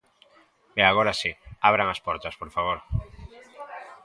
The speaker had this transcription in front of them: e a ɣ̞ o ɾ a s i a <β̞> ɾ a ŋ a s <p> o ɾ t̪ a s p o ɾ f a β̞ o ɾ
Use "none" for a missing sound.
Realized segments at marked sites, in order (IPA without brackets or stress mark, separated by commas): β̞, p